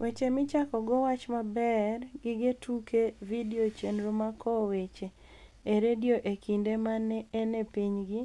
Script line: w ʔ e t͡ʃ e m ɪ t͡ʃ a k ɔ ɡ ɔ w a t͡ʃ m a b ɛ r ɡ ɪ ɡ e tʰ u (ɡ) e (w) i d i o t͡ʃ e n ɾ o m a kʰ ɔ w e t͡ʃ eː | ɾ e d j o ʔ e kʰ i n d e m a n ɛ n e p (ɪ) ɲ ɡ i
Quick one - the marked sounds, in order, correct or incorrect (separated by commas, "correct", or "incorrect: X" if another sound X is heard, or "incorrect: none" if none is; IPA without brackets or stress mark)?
incorrect: k, incorrect: v, incorrect: i